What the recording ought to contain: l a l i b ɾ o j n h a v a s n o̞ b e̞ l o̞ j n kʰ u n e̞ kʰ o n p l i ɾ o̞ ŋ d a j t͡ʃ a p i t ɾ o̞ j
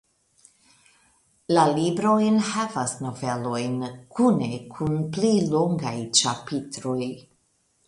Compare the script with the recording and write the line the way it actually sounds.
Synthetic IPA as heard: l a l i b ɾ o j n h a v a s n o̞ v e̞ l o̞ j n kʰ u n e̞ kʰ u n p l i l o̞ ŋ ɡ a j t͡ʃ a p i t ɾ o̞ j